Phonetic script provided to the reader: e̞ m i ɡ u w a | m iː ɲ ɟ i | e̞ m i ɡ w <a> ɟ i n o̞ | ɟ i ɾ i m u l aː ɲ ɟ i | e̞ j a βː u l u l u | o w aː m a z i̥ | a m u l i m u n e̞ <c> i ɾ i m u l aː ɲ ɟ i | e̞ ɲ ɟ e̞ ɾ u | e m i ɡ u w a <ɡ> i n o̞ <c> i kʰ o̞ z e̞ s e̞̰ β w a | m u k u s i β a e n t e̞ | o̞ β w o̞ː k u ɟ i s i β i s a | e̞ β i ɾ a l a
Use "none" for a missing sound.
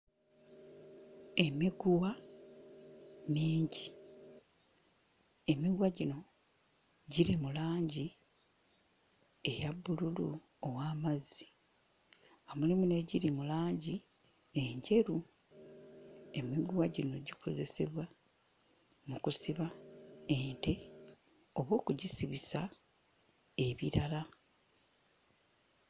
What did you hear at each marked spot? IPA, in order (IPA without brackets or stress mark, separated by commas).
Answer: a, ɟ, ɟ, ɟ